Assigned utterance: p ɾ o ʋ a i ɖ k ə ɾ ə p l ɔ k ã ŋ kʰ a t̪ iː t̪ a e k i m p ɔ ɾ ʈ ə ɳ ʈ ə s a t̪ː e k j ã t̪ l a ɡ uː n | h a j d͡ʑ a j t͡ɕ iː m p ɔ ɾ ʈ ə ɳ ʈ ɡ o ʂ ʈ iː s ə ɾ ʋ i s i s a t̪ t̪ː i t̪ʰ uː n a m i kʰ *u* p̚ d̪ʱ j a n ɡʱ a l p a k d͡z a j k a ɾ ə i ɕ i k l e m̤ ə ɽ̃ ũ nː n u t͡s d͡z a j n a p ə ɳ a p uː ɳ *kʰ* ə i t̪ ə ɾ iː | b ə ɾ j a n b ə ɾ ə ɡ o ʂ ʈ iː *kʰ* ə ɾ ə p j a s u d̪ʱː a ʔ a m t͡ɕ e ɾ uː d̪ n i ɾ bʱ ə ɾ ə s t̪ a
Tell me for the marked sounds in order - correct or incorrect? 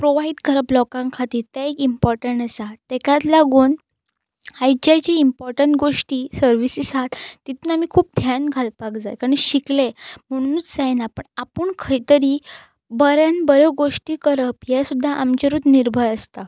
incorrect: uː, correct, incorrect: k

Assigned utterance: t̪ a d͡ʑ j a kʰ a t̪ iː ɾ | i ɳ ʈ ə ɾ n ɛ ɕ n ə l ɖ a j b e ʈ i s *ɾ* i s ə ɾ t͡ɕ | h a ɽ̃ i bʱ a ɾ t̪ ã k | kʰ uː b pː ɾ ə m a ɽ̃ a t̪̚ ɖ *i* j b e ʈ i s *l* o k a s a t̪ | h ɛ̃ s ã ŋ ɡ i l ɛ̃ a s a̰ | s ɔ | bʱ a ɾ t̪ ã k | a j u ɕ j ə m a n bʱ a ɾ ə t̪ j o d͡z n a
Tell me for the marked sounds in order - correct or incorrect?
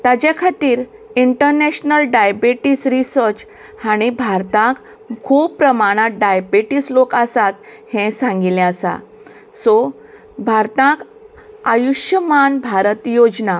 correct, incorrect: a, correct

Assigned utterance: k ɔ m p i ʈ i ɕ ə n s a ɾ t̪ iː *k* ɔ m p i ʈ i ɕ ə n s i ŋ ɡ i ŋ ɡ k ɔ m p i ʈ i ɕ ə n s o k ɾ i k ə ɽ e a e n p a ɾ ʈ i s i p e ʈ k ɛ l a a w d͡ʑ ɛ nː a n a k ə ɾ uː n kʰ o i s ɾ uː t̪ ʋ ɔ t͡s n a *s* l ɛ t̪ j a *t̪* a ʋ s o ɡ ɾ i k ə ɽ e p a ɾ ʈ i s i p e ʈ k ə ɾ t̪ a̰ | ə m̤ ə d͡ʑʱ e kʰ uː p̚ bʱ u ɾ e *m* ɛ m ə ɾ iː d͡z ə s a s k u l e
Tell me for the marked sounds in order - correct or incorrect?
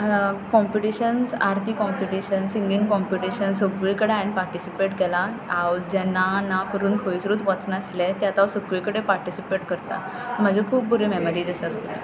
correct, correct, correct, correct

